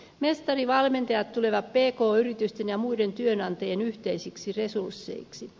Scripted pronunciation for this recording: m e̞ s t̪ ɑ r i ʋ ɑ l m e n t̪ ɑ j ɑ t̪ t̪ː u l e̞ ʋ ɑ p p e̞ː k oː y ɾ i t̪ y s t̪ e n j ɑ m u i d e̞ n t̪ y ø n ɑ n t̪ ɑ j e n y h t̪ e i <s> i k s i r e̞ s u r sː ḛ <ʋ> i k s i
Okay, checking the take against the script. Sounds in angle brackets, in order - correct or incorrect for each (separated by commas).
correct, incorrect